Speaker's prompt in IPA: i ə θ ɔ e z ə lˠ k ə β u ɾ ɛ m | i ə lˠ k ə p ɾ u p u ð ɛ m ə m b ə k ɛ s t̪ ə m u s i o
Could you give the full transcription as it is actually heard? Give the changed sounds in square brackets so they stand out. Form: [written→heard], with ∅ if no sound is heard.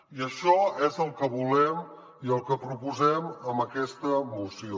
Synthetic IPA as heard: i ə [θ→ʃ] ɔ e z ə lˠ k ə β u [ɾ→l] ɛ m | i ə lˠ k ə p ɾ u p u [ð→z] ɛ m ə m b ə k ɛ s t̪ ə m u s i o

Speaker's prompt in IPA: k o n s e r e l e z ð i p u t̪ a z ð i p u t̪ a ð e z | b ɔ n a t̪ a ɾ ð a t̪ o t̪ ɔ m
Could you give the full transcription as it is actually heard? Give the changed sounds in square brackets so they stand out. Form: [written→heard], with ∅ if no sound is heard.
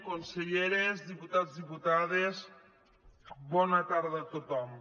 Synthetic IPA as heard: k o n s e [r→ʎ] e [l→ɾ] e z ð i p u t̪ a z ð i p u t̪ a ð e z | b ɔ n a t̪ a ɾ ð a t̪ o t̪ ɔ m

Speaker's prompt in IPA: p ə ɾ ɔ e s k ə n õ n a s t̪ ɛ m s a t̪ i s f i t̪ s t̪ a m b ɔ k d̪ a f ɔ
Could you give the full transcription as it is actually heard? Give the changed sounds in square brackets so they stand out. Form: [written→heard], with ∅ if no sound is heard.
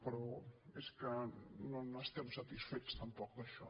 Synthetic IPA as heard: p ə ɾ ɔ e s k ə n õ n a s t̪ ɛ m s a t̪ i s f [i→e] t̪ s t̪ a m [b→p] ɔ k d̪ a [f→ʃ] ɔ

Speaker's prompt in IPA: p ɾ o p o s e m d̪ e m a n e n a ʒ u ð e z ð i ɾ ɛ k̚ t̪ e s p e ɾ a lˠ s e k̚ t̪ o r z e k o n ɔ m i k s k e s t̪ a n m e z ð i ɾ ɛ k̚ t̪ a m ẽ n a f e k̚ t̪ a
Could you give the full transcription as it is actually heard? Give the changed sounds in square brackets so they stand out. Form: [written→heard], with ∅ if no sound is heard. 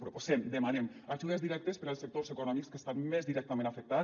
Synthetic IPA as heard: p ɾ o p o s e m d̪ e m a n e [n→m] a ʒ u ð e z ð i ɾ ɛ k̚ t̪ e s p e ɾ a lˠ s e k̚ t̪ o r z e k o n ɔ m i k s k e s t̪ a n m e z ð i ɾ ɛ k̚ t̪ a m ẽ n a f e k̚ t̪ a

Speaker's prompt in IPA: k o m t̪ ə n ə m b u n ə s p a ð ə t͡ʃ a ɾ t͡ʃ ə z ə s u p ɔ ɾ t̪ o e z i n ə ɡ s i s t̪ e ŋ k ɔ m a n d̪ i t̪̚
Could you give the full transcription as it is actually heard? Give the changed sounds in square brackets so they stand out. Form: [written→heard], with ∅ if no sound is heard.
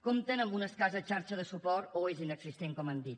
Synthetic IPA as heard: k o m t̪ ə n ə m b u n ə s [p→k] a [ð→z] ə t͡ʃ a ɾ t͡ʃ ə [z→ð] ə s u p ɔ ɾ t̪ o e z i n ə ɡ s i s t̪ e ŋ k ɔ m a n d̪ i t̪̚

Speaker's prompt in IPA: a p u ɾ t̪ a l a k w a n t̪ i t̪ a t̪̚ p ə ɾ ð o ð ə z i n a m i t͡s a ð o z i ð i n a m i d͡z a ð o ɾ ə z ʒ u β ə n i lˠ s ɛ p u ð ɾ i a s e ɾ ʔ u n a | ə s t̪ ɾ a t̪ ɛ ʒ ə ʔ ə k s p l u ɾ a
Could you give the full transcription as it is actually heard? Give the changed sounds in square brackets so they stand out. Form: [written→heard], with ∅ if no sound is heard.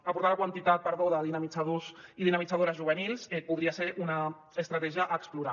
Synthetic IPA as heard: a p u ɾ t̪ a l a k w a n t̪ i t̪ a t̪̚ p ə ɾ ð o ð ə [z→ð] i n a m i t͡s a ð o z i ð i n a m i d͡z a ð o ɾ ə z ʒ u β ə n i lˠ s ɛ p u ð ɾ i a s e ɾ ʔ u n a | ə s t̪ ɾ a t̪ ɛ ʒ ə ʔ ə k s p l u ɾ a

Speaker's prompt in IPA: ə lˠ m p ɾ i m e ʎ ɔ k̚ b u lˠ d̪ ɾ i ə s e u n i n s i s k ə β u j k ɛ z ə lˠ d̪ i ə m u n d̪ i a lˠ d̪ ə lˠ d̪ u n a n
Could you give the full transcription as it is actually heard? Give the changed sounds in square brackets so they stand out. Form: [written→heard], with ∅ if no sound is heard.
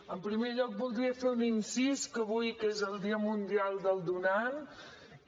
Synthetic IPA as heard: ə [lˠ→∅] m p ɾ i m e ʎ ɔ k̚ b u lˠ d̪ ɾ i ə [s→f] e u n i n s i s k ə β u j k [ɛ→e] z ə lˠ d̪ i ə m u n d̪ i a lˠ d̪ ə lˠ d̪ u n a n

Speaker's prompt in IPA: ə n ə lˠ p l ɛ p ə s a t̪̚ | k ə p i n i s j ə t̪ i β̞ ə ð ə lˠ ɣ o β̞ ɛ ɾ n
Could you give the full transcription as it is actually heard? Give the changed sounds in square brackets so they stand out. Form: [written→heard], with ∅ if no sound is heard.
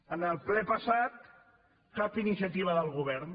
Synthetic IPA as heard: ə n ə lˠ p l ɛ p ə s a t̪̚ | k [ə→a] p i n i s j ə t̪ i β̞ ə ð ə lˠ ɣ [o→u] β̞ ɛ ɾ n

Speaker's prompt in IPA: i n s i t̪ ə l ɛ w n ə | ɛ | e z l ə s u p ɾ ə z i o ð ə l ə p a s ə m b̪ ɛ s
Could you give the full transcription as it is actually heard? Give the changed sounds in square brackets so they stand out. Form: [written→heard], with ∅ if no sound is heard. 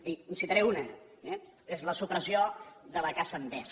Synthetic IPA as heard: i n s i t̪ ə [l→ɾ] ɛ [w→u] n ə | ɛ | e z l ə s u p ɾ ə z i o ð ə l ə [p→k] a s ə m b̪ ɛ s

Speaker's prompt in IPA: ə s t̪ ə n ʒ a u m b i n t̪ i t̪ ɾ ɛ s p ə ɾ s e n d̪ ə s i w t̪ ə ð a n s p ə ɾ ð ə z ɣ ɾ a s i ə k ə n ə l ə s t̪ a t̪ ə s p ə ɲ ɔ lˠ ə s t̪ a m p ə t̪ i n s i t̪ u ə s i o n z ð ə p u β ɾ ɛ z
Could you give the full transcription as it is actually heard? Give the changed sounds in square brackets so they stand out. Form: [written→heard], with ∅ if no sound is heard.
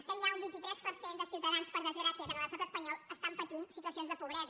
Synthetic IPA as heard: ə s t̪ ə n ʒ a u m b i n t̪ i t̪ ɾ ɛ s p ə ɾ s e n d̪ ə s i w t̪ ə ð a n s p ə ɾ ð ə z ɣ ɾ a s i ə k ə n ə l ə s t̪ a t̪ ə s p ə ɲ ɔ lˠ ə s t̪ a m p ə t̪ i n s i t̪ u ə s i o n z ð ə p u β ɾ ɛ z

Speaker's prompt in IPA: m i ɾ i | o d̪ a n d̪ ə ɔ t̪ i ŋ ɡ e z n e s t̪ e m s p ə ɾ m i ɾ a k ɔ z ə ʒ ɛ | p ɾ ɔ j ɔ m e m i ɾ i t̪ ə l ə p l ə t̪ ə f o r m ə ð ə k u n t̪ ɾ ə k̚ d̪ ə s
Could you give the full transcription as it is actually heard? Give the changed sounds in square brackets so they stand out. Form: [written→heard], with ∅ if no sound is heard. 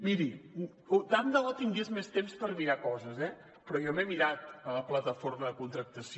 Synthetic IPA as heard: m i ɾ i | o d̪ a n d̪ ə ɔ t̪ i ŋ ɡ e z [n→m] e s t̪ e m s p ə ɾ m i ɾ a k ɔ z ə [ʒ→z] ɛ | p ɾ ɔ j ɔ m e m i ɾ [i→a] t̪ ə l ə p l ə t̪ ə f o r m ə ð ə k u n t̪ ɾ ə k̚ [d̪→t̪] ə s

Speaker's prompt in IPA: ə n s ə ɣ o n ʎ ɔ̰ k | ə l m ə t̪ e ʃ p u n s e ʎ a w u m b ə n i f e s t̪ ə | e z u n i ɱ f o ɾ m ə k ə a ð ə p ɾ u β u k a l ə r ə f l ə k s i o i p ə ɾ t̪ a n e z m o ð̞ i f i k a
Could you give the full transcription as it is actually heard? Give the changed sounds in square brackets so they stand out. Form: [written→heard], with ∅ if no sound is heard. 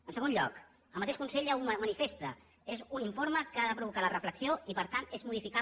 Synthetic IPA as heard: ə n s ə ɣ o n ʎ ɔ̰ k | ə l m ə t̪ e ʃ [p→k] u n s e ʎ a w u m [b→m] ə n i f e s t̪ ə | e z u n i ɱ f o ɾ m ə k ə a ð ə p ɾ u β u k a l ə r ə f l ə k s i o i p ə ɾ t̪ a n e z m [o→u] ð̞ i f i k a

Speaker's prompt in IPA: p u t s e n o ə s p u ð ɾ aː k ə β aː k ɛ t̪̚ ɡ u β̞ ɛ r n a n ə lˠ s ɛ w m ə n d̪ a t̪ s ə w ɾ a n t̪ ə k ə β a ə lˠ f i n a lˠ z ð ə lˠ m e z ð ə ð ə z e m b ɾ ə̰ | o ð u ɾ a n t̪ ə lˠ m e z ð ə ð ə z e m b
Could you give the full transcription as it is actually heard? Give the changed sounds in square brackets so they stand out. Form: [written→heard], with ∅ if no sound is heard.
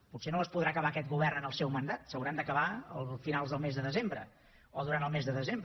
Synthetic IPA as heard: p u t s e n o ə s p u ð ɾ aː k ə β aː k ɛ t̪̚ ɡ u β̞ ɛ r n [a→ə] n ə lˠ s ɛ w m ə n d̪ a t̪ s ə w ɾ a n [t̪→d̪] ə k ə β a ə lˠ f i n a lˠ z ð ə lˠ m e z ð ə ð ə z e m b ɾ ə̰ | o ð u ɾ a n t̪ ə lˠ m e z ð ə ð ə z e m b

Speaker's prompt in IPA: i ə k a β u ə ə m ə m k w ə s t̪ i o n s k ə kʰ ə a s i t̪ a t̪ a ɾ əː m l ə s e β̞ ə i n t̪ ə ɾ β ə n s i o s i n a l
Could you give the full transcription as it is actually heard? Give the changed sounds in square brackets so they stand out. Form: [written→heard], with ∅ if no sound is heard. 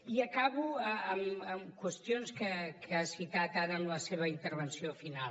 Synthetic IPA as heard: i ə k a β u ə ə m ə m k w ə s t̪ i o n s k ə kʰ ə a s i t̪ a t̪ a ɾ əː m l ə s e β̞ ə i n t̪ ə ɾ β ə n s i o [s→f] i n a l

